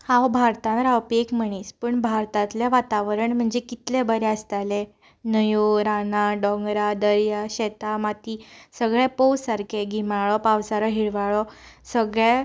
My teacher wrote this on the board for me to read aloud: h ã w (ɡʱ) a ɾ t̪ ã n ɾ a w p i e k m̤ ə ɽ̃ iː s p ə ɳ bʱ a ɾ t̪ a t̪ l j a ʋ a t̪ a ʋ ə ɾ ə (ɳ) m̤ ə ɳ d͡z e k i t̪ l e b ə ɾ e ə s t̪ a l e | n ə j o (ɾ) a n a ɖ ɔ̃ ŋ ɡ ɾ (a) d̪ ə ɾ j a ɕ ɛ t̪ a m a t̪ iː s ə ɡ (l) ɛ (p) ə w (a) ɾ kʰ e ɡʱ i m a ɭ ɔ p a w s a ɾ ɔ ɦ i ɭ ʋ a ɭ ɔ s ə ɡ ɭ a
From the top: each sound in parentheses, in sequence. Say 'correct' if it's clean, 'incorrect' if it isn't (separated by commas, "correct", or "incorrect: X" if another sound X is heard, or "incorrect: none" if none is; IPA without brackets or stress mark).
incorrect: bʱ, correct, correct, correct, incorrect: ɭ, correct, correct